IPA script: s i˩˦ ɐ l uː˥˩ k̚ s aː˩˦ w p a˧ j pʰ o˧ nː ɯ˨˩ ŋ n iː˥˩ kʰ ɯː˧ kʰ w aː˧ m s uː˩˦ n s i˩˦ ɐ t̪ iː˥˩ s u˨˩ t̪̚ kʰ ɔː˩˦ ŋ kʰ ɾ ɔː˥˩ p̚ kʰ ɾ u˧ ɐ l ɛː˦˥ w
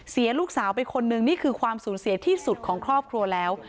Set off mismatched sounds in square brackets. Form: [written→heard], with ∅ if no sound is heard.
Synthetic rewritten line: s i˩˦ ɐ l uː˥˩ k̚ s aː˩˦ w p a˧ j [pʰ→kʰ] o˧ nː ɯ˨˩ ŋ n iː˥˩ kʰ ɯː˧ kʰ w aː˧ m s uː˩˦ n s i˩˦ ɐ [t̪→t̪ʰ] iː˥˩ s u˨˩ t̪̚ kʰ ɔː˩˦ ŋ kʰ ɾ ɔː˥˩ p̚ kʰ ɾ u˧ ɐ l ɛː˦˥ w